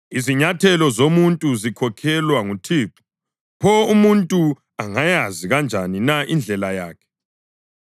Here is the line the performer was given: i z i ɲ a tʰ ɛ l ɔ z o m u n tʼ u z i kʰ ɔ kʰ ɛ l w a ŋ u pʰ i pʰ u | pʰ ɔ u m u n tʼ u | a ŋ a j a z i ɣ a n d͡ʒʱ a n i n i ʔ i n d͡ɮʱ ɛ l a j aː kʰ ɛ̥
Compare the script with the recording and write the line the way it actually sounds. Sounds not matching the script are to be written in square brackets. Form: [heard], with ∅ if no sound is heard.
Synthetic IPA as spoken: i z i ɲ a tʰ ɛ l ɔ z o m u n tʼ u z i kʰ ɔ kʰ ɛ l w a ŋ u [tʰ] i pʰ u | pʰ ɔ u m u n tʼ u | a ŋ a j a z i ɣ a n d͡ʒʱ a n i n [a] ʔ i n d͡ɮʱ ɛ l a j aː kʰ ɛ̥

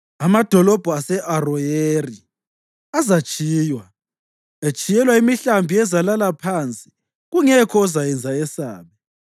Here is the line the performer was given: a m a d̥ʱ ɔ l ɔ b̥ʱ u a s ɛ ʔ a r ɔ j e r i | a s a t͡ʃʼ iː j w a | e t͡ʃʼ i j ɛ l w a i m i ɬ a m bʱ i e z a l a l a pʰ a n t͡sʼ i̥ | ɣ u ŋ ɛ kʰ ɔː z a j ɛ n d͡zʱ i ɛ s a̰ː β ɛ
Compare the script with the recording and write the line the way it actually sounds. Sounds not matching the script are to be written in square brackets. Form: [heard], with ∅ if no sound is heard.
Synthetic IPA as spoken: a m a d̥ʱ ɔ l ɔ b̥ʱ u a s ɛ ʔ a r ɔ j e r i | a [z] a t͡ʃʼ iː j w a | e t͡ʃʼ i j ɛ l w a i m i ɬ a m bʱ i [ɛ] z a l a l a pʰ a n t͡sʼ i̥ | ɣ u ŋ ɛ kʰ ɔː z a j ɛ n d͡zʱ [a] ɛ s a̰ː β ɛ

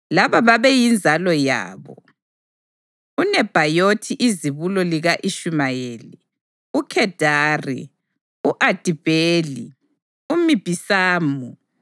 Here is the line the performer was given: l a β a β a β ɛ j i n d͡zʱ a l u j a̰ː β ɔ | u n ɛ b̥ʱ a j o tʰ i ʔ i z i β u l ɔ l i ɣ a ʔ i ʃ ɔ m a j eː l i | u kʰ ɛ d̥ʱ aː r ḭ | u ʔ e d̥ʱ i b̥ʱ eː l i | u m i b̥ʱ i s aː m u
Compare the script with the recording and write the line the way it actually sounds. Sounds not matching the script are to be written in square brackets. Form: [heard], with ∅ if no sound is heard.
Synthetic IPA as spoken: l a β a β a β ɛ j i n d͡zʱ a l [ɔ] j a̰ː β ɔ | u n ɛ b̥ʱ a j o tʰ i ʔ i z i β u l ɔ l i ɣ a ʔ i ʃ [u] m a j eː l i | u kʰ ɛ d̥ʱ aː r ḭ | u ʔ [a] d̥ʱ i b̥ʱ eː l i | u m i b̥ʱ i s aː m u

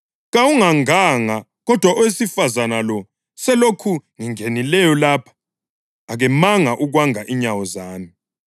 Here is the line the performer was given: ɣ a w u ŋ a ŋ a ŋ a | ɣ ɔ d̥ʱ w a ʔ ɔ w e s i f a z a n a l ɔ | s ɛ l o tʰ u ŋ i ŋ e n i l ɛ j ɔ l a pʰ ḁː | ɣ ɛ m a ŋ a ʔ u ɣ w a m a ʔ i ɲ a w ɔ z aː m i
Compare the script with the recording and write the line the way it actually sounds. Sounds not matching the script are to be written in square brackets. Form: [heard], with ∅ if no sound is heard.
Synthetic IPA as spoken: ɣ a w u ŋ a ŋ a ŋ a | ɣ ɔ d̥ʱ w a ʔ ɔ w e s i f a z a n a l ɔ | s ɛ l o [kʰ] u ŋ i ŋ e n i l ɛ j ɔ l a pʰ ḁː | ɣ ɛ m a ŋ a ʔ u ɣ w a [ŋ] a ʔ i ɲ a w ɔ z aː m i

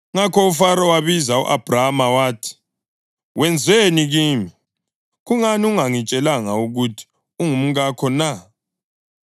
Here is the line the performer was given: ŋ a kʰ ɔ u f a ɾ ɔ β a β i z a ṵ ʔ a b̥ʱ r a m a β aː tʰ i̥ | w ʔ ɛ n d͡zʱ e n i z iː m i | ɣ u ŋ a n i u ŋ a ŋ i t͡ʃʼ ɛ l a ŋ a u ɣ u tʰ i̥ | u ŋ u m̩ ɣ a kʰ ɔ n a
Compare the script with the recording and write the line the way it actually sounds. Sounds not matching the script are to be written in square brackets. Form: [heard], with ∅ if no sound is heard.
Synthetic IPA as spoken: ŋ a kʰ ɔ u f a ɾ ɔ [w] a β i z a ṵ ʔ a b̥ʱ r a m a [w] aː tʰ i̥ | w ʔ ɛ n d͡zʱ e n i [ɣ] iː m i | ɣ u ŋ a n i u ŋ a ŋ i t͡ʃʼ ɛ l a ŋ a u ɣ u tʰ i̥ | u ŋ u m̩ ɣ a kʰ ɔ n a

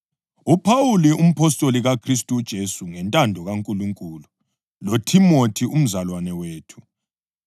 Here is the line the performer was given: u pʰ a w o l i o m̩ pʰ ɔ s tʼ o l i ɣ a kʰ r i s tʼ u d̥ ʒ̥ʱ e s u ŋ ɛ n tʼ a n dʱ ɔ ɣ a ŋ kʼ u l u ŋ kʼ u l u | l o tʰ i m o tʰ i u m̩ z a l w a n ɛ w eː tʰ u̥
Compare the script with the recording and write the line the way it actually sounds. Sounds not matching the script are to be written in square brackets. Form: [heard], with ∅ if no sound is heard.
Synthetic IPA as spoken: u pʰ a w [u] l i [u] m̩ pʰ ɔ s tʼ o l i ɣ a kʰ r i s tʼ u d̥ ʒ̥ʱ e s u ŋ ɛ n tʼ a n dʱ ɔ ɣ a ŋ kʼ u l u ŋ kʼ u l u | l o tʰ i m o tʰ i u m̩ z a l w a n ɛ w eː tʰ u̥

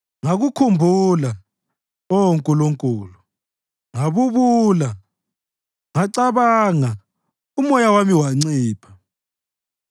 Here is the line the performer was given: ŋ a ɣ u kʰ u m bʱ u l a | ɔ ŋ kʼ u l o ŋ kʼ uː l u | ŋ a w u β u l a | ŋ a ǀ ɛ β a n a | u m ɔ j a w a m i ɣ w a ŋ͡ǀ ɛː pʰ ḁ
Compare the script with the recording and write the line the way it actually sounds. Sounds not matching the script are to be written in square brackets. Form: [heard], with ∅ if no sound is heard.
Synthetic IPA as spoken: ŋ a ɣ u kʰ u m bʱ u l a | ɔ ŋ kʼ u l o ŋ kʼ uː l u | ŋ a [β] u β u l a | ŋ a ǀ [a] β a [ŋ] a | u m ɔ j a w a m i [∅] w a ŋ͡ǀ [iː] pʰ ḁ

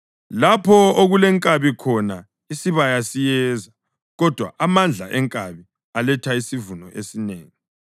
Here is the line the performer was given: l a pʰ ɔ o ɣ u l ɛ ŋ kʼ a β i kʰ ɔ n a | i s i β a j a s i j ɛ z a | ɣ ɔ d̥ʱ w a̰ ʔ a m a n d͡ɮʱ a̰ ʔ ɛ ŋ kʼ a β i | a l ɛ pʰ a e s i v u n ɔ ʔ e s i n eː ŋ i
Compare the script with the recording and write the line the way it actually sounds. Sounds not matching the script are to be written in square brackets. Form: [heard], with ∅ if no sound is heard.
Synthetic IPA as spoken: l a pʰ ɔ o ɣ u l ɛ ŋ kʼ a β i kʰ ɔ n a | i s i β a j a s i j ɛ z a | ɣ ɔ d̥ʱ w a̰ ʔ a m a n d͡ɮʱ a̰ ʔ ɛ ŋ kʼ a β i | a l ɛ [tʰ] a [i] s i v u n ɔ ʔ e s i n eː ŋ i

